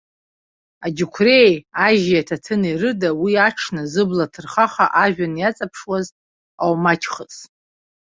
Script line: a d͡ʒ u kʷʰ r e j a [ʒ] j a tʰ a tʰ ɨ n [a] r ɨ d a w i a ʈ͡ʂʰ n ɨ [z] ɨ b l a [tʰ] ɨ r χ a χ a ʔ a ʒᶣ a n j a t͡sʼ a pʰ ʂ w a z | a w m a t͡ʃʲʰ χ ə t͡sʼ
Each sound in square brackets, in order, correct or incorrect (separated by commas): correct, incorrect, correct, correct